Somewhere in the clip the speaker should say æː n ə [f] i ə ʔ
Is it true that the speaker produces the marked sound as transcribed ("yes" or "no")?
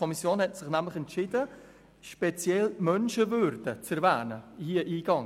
no